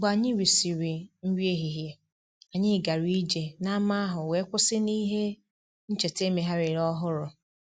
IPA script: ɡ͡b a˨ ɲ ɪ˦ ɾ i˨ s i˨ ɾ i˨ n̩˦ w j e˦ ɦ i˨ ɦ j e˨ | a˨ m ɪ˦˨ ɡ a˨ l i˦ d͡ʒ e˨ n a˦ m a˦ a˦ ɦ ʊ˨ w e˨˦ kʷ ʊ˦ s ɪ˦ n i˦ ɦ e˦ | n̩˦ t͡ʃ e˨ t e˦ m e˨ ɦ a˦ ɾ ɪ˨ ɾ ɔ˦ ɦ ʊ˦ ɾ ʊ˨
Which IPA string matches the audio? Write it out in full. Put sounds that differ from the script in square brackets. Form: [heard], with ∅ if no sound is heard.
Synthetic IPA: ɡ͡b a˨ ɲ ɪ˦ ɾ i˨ s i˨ ɾ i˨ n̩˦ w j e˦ ɦ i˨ ɦ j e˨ | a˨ [ɲ] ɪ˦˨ ɡ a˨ [ɾ] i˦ d͡ʒ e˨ n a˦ m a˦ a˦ ɦ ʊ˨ w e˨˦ kʷ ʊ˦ s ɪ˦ n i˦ ɦ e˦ | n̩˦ t͡ʃ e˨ t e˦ m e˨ ɦ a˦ ɾ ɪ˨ ɾ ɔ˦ ɦ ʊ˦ ɾ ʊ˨

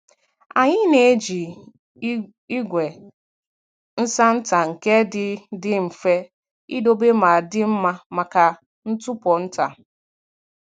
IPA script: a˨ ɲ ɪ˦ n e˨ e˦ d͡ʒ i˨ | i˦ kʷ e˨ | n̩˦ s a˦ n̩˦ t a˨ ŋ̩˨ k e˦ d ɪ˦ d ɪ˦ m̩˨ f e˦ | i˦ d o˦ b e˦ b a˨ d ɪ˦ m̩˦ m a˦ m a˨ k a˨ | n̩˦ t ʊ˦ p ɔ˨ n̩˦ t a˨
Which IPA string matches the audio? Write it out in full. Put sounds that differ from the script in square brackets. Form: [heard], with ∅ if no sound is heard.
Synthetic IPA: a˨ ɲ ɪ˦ n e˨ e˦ d͡ʒ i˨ | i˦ [ɡʷ] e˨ | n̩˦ s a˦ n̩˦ t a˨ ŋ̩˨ k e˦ d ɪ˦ d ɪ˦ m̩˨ f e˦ | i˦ d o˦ b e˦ [m] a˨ d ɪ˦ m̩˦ m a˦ m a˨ k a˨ | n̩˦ t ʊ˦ p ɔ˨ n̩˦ t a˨

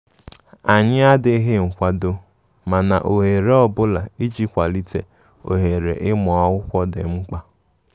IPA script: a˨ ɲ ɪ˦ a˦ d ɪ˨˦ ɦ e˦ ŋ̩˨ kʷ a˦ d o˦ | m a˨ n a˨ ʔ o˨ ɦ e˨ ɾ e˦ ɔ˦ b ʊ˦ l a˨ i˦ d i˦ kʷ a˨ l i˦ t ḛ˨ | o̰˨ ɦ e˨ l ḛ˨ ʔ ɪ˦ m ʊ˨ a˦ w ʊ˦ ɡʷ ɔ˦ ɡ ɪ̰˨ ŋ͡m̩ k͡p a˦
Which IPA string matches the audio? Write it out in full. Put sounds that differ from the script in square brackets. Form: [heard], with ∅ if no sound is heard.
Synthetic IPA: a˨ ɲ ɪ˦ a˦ d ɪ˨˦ ɦ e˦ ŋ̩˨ kʷ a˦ d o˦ | m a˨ n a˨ ʔ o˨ ɦ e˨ ɾ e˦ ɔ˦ b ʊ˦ l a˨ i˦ [d͡ʒ] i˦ kʷ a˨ l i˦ t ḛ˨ | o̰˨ ɦ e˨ [ɾ] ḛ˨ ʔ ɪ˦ m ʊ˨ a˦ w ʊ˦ [kʷ] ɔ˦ [d] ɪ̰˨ ŋ͡m̩ k͡p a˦

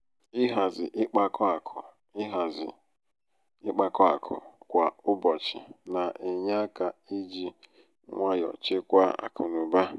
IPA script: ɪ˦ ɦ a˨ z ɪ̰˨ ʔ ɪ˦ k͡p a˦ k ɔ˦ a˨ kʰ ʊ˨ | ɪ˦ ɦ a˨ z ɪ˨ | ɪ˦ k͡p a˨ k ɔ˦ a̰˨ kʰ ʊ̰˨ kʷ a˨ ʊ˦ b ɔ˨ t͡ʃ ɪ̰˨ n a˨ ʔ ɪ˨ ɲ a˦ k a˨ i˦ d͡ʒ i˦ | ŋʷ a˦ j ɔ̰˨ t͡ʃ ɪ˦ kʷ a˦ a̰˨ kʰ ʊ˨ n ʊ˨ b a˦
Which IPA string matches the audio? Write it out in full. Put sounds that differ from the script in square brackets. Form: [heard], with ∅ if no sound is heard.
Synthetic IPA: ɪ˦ ɦ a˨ z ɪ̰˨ ʔ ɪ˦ k͡p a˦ k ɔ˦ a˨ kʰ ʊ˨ | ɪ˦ ɦ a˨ z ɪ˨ | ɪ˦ k͡p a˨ k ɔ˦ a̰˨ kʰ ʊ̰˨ kʷ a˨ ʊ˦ b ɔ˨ t͡ʃ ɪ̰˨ n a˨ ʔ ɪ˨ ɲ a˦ k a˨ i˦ d͡ʒ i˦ | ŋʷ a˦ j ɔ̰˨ t͡ʃ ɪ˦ kʷ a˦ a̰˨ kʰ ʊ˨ n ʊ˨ b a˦

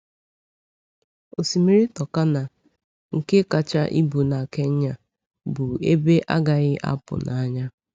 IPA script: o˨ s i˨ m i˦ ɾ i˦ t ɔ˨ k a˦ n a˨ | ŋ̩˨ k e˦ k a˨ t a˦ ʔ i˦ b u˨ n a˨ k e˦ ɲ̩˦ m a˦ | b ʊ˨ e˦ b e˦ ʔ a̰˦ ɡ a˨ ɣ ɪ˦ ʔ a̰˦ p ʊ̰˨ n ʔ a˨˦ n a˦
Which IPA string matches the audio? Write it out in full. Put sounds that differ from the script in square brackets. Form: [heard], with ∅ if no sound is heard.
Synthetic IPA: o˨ s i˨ m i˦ ɾ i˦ t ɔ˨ k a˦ n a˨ | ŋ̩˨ k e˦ k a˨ [t͡ʃ] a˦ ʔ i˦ b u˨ n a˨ k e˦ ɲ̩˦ [ɲ] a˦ | b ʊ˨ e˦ b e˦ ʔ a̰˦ ɡ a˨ ɣ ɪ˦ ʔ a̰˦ p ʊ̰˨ n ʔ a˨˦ [ɲ] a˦

